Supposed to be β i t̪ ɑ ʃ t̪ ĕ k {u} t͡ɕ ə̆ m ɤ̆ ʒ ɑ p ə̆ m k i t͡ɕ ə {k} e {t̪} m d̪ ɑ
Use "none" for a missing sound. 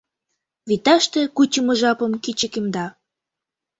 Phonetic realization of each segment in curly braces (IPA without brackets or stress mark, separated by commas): u, k, none